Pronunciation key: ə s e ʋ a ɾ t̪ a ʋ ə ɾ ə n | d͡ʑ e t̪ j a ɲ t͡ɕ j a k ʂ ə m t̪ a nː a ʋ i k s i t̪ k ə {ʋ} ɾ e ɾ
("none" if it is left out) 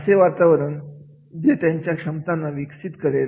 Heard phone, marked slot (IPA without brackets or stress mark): none